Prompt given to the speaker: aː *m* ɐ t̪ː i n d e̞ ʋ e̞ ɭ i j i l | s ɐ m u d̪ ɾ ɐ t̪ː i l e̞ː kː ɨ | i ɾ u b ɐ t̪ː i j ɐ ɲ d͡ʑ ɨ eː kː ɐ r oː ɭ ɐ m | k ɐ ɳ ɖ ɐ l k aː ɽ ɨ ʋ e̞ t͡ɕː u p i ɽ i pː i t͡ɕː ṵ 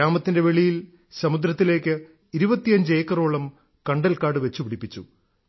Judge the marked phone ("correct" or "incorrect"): correct